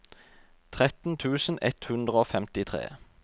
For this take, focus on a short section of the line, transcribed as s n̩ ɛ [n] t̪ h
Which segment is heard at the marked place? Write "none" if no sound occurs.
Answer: none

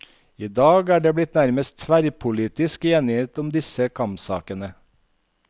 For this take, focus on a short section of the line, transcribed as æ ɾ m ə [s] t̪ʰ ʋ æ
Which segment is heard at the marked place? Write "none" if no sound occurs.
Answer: s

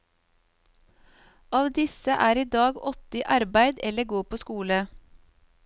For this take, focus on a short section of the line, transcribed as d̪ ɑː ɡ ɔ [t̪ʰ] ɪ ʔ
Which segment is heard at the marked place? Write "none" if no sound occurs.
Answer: t̪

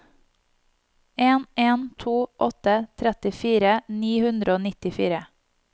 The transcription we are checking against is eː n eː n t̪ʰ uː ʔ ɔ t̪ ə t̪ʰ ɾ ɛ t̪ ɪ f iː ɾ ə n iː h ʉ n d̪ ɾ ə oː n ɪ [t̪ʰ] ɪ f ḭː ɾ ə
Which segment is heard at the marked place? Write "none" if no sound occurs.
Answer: t̪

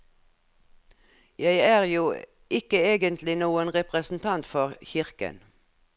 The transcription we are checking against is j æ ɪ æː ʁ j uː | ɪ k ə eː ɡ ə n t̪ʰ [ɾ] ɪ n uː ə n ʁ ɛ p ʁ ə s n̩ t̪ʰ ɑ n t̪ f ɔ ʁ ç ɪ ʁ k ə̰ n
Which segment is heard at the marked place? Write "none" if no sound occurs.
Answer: l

